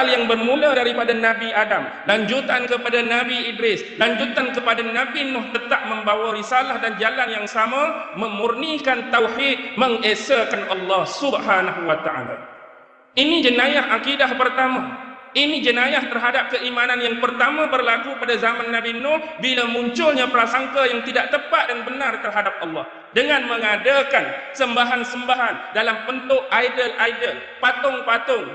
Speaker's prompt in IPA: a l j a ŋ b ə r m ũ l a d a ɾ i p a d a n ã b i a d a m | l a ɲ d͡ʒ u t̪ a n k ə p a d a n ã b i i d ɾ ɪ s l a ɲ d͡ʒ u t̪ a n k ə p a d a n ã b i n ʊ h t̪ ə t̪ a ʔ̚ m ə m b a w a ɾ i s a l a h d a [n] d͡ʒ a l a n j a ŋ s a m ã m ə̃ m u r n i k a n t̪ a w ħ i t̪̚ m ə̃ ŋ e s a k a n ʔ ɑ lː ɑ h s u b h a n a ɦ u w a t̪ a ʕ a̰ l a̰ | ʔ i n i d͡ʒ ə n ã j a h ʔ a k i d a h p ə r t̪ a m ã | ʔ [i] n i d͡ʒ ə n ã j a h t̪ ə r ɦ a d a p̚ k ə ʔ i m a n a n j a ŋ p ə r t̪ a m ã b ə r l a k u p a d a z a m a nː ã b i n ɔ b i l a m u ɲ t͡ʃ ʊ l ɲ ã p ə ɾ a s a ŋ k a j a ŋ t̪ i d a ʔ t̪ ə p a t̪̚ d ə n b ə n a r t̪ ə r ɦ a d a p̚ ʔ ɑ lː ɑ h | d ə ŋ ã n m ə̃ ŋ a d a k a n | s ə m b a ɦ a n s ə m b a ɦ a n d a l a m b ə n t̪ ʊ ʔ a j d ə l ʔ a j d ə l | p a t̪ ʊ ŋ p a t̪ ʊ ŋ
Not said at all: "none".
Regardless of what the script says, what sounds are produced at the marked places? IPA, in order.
n, i

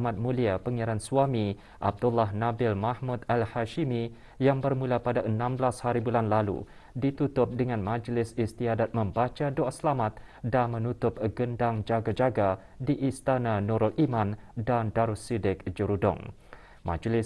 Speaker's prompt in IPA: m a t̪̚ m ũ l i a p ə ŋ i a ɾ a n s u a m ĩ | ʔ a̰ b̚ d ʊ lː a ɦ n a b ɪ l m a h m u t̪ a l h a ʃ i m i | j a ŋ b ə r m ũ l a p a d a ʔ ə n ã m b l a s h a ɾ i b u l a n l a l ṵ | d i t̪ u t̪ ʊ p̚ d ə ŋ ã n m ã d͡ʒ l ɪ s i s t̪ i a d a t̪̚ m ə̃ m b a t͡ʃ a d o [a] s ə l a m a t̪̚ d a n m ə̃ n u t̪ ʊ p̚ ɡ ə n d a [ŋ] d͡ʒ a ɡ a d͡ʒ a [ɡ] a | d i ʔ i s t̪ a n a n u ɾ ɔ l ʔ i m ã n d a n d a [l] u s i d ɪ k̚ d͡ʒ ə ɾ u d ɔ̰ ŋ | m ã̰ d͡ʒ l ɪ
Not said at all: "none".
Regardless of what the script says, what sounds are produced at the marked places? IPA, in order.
a, ŋ, ɡ, ɾ

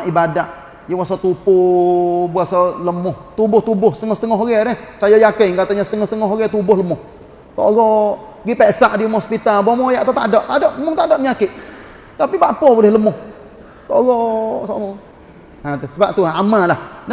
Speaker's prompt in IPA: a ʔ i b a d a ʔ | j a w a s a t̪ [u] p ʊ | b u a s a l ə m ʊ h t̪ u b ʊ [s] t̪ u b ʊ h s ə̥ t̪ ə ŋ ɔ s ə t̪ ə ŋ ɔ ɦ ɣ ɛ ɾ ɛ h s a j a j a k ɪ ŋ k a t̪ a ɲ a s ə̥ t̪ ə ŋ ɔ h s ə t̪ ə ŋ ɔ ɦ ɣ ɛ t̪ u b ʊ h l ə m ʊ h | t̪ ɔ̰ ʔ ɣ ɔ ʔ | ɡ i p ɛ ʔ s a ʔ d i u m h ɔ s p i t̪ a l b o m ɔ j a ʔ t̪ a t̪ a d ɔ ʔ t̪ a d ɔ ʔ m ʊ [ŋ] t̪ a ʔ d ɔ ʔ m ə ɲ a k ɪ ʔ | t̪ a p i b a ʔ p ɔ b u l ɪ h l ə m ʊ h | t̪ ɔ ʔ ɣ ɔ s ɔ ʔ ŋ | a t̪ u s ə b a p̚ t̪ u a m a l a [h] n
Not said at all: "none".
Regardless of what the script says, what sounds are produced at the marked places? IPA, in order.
u, h, ŋ, h

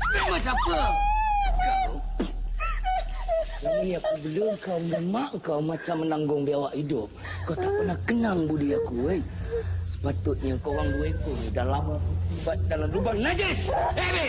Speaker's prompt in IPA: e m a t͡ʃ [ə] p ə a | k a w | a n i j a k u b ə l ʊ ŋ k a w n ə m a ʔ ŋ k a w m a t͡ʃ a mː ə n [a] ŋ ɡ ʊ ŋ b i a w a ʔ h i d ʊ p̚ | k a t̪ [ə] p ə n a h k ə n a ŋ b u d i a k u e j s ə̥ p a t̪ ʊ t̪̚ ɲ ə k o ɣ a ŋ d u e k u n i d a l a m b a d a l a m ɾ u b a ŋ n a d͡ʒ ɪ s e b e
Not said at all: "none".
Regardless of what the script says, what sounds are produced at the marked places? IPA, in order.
a, a, a

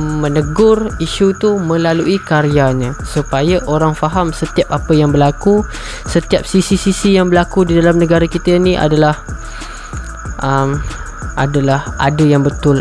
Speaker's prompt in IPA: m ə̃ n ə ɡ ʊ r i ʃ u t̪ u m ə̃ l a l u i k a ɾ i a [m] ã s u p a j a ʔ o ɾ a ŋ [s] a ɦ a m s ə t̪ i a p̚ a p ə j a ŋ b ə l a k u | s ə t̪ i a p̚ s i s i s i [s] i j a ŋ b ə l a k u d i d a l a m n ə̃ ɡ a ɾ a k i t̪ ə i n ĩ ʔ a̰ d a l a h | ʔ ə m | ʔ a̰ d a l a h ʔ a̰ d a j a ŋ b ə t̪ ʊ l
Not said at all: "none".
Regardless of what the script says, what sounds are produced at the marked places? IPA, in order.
ɲ, f, s

